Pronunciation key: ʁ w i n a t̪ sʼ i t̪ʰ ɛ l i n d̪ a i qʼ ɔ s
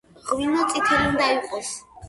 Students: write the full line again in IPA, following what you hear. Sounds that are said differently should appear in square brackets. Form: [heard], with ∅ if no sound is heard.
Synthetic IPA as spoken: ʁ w i n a t̪ sʼ i t̪ʰ ɛ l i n d̪ a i qʼ ɔ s

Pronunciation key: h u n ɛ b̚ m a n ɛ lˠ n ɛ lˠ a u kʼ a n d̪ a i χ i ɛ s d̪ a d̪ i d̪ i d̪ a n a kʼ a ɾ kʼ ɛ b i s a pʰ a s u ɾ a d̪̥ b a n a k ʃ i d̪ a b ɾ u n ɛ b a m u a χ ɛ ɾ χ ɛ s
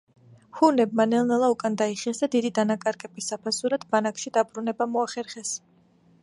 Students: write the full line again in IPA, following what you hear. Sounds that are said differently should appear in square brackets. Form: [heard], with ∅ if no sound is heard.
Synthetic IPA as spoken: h u n ɛ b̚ m a n ɛ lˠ n ɛ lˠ a u kʼ a n d̪ a i χ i ɛ s d̪ a d̪ i d̪ i d̪ a n a kʼ a ɾ kʼ ɛ b i s a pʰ a s u ɾ a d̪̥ b a n a k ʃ i d̪ a b ɾ u n ɛ b a m [ɔ] a χ ɛ ɾ χ ɛ s

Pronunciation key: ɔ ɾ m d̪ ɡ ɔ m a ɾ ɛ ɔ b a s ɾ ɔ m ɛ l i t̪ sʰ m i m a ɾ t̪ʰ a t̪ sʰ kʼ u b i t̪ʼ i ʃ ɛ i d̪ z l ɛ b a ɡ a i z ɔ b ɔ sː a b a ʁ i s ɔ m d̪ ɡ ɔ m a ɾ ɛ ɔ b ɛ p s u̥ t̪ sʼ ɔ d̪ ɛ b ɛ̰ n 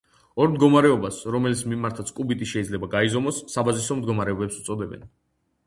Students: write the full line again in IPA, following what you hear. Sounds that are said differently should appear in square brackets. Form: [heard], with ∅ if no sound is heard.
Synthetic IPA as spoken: ɔ ɾ m d̪ ɡ ɔ m a ɾ ɛ ɔ b a s ɾ ɔ m ɛ l i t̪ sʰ m i m a ɾ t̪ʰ a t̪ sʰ kʼ u b i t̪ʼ i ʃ ɛ i d̪ z l ɛ b a ɡ a i z ɔ [m] ɔ sː a b a [z] i s ɔ m d̪ ɡ ɔ m a ɾ ɛ ɔ b ɛ p s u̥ t̪ sʼ ɔ d̪ ɛ b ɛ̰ n

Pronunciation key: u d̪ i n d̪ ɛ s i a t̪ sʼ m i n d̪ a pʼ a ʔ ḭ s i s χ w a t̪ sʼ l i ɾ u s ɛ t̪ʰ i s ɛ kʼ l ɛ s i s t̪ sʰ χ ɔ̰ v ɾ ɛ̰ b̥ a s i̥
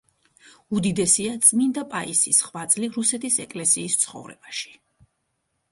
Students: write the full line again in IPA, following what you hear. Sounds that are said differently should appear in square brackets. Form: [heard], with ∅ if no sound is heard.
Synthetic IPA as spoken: u d̪ i [∅] d̪ ɛ s i a t̪ sʼ m i n d̪ a pʼ a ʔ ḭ s i s χ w a t̪ sʼ l i ɾ u s ɛ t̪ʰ i s ɛ kʼ l ɛ s [iː] s t̪ sʰ χ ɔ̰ v ɾ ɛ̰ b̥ a [ʃ] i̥

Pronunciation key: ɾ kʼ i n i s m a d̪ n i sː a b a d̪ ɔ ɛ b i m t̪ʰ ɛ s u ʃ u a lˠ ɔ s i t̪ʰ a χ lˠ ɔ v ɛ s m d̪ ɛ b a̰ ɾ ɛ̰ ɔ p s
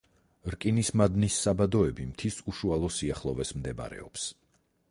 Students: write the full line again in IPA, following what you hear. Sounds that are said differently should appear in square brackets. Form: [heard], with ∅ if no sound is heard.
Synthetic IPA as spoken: ɾ kʼ i n i s m a d̪ n i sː a b a d̪ ɔ ɛ b i m t̪ʰ [i] s u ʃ u a lˠ ɔ s i [∅] a χ lˠ ɔ v ɛ s m d̪ ɛ b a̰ ɾ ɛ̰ ɔ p s

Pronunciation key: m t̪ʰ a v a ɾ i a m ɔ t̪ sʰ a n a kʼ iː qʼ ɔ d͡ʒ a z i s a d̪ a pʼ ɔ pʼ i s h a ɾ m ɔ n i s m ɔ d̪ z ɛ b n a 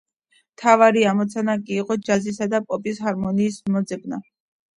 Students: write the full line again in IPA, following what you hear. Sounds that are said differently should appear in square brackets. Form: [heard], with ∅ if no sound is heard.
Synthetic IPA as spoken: m t̪ʰ a v a ɾ i a m ɔ t̪ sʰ a n a kʼ iː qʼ ɔ d͡ʒ a z i s a d̪ a pʼ ɔ pʼ i s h a ɾ m ɔ n [iː] s m ɔ d̪ z ɛ b n a

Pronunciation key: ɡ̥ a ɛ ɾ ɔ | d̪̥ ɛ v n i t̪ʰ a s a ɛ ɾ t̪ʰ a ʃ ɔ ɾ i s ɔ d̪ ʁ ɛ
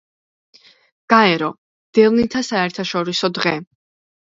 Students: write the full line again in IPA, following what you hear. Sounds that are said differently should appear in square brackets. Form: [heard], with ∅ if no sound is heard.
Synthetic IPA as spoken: ɡ̥ a ɛ ɾ ɔ | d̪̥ ɛ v n i t̪ʰ a s a ɛ ɾ t̪ʰ a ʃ ɔ ɾ i s ɔ d̪ ʁ ɛ

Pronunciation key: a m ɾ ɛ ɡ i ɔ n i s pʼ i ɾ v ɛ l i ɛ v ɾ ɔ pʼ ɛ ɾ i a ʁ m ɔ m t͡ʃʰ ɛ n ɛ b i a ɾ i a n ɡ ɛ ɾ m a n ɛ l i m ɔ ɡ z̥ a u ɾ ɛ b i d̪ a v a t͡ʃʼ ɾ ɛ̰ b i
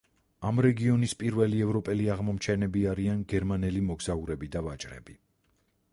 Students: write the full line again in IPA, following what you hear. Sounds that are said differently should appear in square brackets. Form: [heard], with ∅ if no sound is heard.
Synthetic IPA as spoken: a m ɾ ɛ ɡ i ɔ n i s pʼ i ɾ v ɛ l i ɛ v ɾ ɔ pʼ ɛ [l] i a ʁ m ɔ m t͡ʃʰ ɛ n ɛ b i a ɾ i a n ɡ ɛ ɾ m a n ɛ l i m ɔ ɡ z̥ a u ɾ ɛ b i d̪ a v a t͡ʃʼ ɾ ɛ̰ b i

